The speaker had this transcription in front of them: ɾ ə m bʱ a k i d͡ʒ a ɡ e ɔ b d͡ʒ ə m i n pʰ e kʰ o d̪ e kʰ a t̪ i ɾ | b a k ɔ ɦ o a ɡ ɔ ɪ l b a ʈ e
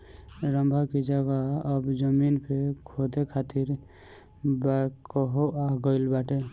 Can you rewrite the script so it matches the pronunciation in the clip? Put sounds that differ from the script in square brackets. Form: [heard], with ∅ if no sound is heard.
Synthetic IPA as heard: ɾ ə m bʱ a k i d͡ʒ a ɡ [a] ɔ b d͡ʒ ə m i n pʰ e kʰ o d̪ e kʰ a t̪ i ɾ | b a k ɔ ɦ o a ɡ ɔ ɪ l b a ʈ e